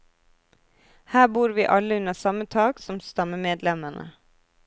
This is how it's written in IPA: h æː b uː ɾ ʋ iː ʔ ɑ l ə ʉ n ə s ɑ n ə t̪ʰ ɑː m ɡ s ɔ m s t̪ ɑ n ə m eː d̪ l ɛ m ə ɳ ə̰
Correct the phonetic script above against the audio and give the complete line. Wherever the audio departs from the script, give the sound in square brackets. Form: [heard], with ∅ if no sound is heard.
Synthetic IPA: h æː b uː ɾ ʋ iː ʔ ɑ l ə ʉ n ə s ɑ [m] ə t̪ʰ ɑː [∅] ɡ s ɔ m s t̪ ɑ [m] ə m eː d̪ l ɛ m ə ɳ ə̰